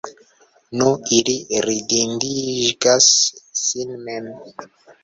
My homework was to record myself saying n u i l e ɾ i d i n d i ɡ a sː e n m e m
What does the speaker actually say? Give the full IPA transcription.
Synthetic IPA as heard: n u i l i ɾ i d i n d i ɡ a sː i n m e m